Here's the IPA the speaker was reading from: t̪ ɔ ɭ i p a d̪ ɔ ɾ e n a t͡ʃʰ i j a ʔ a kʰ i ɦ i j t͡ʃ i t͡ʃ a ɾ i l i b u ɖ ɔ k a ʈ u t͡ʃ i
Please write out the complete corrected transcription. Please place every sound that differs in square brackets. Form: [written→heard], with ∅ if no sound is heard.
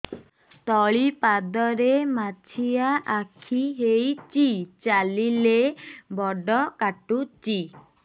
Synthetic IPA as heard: t̪ ɔ ɭ i p a d̪ ɔ ɾ e [n→m] a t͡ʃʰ i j a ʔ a kʰ i ɦ [i→e] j t͡ʃ i t͡ʃ a [ɾ→l] i l [i→e] b [u→ɔ] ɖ ɔ k a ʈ u t͡ʃ i